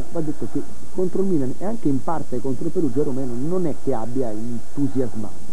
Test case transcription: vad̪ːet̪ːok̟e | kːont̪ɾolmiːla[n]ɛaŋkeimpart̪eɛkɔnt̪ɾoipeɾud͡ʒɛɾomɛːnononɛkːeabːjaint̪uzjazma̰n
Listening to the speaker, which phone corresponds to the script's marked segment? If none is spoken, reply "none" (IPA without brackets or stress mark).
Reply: n